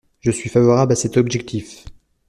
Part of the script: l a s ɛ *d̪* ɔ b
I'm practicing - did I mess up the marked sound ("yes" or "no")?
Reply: yes